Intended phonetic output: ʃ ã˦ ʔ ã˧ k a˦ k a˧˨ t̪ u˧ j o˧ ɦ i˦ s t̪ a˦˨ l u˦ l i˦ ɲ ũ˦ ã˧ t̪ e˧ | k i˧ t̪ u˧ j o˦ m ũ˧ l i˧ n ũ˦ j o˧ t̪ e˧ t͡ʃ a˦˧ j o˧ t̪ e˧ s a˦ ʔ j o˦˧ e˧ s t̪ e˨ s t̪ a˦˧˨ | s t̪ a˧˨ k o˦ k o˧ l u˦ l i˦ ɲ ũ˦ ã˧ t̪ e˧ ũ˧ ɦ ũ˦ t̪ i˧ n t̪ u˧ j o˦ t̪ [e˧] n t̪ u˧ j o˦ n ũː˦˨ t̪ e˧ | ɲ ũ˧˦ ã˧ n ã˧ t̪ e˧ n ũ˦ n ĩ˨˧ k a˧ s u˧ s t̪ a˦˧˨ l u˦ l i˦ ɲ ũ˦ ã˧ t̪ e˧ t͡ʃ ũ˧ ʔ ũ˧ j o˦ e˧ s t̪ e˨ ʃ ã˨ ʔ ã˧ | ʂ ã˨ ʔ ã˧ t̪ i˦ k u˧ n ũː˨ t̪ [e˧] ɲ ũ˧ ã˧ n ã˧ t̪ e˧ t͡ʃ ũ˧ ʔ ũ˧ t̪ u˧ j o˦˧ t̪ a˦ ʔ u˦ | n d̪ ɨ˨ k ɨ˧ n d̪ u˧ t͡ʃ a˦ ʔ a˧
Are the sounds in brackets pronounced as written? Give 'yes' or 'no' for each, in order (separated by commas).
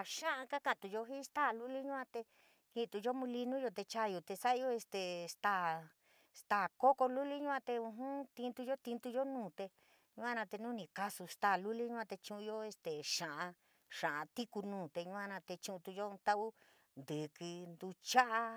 no, yes